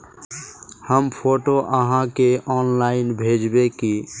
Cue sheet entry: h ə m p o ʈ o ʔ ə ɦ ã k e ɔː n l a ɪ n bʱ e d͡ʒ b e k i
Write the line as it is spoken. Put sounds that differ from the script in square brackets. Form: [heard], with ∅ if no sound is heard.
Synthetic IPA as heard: h ə m [pʰ] o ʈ o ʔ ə ɦ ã k e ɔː n l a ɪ n bʱ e d͡ʒ b e k i